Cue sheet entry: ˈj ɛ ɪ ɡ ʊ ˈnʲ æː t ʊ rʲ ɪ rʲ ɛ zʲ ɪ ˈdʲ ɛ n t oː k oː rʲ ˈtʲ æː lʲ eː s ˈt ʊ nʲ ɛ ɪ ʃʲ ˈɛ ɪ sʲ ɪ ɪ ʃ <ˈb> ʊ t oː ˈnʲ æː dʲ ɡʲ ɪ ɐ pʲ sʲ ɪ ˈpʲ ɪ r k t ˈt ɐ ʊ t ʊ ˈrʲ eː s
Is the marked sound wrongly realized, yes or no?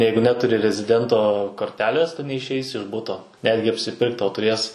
no